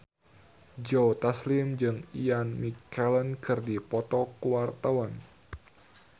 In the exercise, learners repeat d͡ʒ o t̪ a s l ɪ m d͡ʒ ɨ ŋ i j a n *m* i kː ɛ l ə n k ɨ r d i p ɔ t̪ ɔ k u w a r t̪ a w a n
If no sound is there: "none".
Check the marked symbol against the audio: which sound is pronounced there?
m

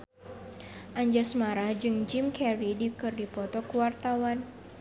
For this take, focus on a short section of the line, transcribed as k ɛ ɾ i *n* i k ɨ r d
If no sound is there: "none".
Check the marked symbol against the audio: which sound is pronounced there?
d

